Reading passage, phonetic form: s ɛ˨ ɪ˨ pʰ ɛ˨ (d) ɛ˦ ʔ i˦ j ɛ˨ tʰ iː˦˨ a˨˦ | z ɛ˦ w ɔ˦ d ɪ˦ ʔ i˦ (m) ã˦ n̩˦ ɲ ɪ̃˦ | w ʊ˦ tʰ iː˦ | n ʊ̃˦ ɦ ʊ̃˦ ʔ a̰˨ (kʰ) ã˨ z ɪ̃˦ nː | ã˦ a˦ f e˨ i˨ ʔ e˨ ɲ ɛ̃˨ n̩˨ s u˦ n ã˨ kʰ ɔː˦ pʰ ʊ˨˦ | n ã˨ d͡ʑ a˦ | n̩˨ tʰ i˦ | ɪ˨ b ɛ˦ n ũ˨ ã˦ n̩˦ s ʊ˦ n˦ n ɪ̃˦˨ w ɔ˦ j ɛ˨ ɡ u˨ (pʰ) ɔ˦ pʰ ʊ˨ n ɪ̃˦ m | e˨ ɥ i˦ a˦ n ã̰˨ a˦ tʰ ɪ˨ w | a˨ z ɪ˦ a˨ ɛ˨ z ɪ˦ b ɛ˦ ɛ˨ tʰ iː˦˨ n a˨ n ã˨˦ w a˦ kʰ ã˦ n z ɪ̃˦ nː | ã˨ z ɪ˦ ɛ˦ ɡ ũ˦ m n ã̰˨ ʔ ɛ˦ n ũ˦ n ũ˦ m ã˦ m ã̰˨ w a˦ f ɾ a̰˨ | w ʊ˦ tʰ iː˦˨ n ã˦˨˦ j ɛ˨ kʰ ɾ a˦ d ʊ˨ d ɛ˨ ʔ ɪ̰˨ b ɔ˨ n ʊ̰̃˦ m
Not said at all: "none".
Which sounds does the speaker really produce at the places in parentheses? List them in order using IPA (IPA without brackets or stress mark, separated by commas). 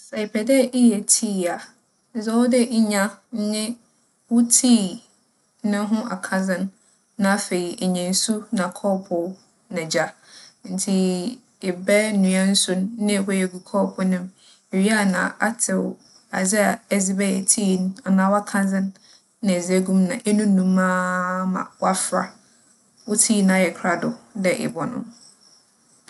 d, ɲ, kʰ, kʰ